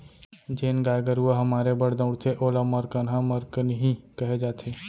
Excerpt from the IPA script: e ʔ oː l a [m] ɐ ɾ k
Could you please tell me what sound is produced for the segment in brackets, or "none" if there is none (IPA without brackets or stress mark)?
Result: m